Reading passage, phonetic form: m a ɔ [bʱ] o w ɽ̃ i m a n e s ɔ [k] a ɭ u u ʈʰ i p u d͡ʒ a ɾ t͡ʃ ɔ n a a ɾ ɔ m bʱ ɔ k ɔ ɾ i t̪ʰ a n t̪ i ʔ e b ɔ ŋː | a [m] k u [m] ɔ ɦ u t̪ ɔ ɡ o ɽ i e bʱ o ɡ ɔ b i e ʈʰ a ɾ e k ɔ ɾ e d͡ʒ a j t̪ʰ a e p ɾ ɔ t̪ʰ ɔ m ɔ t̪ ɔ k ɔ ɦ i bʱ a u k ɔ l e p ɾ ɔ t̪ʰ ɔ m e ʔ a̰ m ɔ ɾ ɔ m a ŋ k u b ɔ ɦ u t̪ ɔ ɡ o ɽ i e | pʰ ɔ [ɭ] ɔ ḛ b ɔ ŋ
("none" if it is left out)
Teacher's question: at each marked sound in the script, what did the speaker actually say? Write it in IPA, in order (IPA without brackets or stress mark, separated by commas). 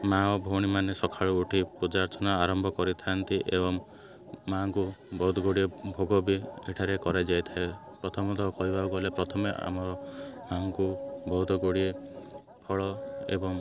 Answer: bʱ, kʰ, ŋ, b, ɭ